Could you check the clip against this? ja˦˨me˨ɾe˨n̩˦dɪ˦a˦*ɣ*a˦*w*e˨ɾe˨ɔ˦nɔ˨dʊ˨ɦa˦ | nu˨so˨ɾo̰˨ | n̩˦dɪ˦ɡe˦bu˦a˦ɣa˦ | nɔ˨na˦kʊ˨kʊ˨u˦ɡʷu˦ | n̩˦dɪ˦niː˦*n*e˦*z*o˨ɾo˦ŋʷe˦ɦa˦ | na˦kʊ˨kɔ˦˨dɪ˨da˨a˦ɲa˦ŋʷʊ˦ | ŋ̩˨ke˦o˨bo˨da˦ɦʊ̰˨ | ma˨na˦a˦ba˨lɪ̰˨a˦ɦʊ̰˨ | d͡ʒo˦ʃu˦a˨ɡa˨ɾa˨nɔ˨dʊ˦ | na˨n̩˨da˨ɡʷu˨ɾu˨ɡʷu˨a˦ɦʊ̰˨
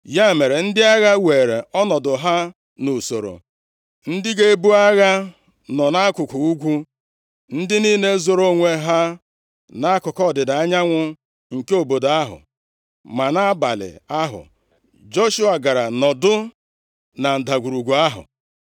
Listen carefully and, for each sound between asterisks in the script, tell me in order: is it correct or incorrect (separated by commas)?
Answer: correct, correct, correct, correct